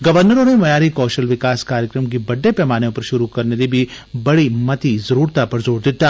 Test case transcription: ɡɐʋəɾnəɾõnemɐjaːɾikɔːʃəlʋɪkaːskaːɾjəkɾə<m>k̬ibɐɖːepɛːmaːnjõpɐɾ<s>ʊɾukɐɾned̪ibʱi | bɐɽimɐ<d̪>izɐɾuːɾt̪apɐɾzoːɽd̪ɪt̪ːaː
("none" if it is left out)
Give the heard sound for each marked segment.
m, ʃ, t̪

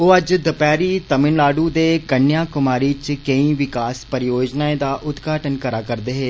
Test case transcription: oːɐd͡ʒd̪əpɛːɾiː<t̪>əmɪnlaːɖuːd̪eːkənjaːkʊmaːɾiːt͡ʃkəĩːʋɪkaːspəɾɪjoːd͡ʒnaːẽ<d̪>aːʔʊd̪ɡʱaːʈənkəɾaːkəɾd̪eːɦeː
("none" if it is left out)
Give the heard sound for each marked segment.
t̪, d̪

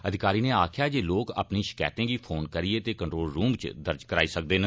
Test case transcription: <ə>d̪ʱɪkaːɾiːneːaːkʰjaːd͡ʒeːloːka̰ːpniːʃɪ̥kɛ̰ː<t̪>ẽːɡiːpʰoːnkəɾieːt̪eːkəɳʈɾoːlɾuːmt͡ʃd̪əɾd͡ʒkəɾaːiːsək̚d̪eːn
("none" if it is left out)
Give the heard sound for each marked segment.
ə, t̪

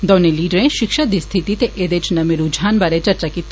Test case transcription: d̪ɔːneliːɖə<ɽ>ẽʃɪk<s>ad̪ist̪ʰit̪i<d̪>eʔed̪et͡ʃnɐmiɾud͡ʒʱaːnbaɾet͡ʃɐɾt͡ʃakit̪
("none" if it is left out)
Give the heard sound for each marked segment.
ɾ, ʃ, t̪

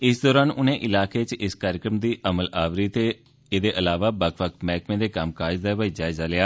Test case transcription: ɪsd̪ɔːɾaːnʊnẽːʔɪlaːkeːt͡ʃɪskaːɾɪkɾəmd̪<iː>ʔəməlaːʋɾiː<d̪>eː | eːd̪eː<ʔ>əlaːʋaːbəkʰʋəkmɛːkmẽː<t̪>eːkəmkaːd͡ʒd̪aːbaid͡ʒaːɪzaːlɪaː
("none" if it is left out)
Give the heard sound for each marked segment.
iː, t̪, ʔ, d̪

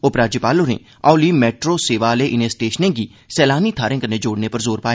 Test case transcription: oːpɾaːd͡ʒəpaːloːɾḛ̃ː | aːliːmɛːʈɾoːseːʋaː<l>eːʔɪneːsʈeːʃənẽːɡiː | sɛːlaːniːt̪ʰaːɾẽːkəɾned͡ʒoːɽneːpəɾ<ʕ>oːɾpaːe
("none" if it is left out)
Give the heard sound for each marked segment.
l, z

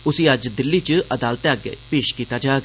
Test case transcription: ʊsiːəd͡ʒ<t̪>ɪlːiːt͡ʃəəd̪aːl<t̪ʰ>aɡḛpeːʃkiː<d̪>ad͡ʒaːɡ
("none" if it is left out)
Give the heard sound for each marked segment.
d̪, t̪, t̪

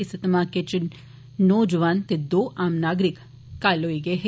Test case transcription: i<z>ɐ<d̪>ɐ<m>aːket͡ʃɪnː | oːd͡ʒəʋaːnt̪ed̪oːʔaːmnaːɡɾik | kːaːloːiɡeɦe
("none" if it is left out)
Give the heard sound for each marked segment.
s, t̪, m

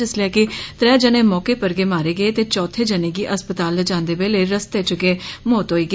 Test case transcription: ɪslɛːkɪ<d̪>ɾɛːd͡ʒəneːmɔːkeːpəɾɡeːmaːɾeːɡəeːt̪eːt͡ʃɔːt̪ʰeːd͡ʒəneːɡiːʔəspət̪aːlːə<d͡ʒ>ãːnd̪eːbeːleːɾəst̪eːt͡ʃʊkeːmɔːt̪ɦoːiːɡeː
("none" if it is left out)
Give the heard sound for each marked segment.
t̪, d͡ʒ

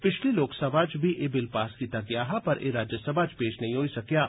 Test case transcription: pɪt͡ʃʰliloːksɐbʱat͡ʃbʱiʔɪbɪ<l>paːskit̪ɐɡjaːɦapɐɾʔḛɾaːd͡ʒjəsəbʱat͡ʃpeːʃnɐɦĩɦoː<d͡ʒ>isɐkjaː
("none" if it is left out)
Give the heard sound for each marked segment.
l, none

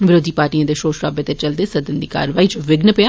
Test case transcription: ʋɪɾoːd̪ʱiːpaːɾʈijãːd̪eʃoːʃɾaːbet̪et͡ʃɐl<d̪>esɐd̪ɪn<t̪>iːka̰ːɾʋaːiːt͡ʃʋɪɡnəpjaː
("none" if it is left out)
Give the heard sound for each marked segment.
d̪, d̪

